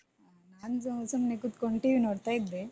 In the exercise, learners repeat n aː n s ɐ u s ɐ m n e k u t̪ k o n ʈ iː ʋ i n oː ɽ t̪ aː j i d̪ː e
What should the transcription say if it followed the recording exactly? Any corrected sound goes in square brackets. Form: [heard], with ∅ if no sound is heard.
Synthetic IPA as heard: n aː n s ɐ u s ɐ m n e k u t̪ k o [ɳ] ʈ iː ʋ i n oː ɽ t̪ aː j i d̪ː e